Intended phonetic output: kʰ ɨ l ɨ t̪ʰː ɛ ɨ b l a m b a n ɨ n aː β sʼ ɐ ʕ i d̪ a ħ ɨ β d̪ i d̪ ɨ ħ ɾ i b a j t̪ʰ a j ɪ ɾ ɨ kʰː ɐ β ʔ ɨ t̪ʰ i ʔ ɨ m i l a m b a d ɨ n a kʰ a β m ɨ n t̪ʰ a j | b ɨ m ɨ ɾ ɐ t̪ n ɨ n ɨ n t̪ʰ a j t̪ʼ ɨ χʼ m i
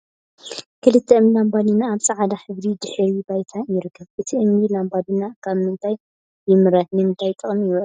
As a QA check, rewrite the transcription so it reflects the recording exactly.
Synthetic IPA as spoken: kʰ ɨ l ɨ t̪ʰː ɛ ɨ m l a m b a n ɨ n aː β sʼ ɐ ʕ a d̪ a ħ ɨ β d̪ i d̪ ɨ ħ ɾ i b a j t̪ʰ a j ɪ ɾ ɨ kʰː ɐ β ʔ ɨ t̪ʰ i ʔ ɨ m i l a m b a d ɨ n a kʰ a β m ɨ n t̪ʰ a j | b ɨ m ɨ ɾ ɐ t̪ n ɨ m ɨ n t̪ʰ a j t̪ʼ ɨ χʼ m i